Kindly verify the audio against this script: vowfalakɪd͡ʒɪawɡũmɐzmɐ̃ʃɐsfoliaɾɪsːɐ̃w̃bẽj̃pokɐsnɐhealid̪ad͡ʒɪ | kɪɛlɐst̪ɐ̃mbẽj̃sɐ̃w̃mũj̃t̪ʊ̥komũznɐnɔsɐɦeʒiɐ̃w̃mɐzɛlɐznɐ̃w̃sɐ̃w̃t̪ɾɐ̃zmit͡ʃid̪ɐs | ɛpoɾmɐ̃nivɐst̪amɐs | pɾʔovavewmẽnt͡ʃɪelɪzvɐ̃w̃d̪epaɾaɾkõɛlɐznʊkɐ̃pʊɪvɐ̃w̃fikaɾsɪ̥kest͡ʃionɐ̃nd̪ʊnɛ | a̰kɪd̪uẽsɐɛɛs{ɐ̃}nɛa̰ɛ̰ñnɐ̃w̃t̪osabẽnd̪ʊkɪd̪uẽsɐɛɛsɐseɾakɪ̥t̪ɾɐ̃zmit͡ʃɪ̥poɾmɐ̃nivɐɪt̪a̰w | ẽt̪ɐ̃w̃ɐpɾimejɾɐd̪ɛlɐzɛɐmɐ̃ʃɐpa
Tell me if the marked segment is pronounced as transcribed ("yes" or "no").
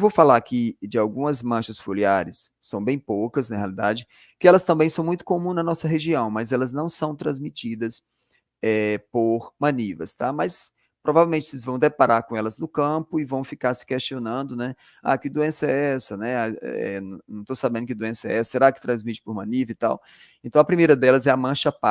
no